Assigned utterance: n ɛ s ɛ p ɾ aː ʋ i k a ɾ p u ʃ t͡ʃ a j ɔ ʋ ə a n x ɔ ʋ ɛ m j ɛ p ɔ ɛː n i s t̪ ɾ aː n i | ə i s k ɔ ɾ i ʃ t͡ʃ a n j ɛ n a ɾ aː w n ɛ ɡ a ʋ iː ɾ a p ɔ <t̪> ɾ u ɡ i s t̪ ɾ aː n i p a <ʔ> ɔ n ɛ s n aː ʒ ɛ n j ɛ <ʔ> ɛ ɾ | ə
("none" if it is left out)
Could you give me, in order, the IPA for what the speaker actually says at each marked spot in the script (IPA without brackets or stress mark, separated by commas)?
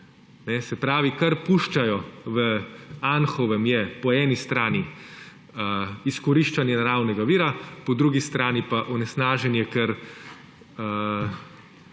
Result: d̪, ʔ, k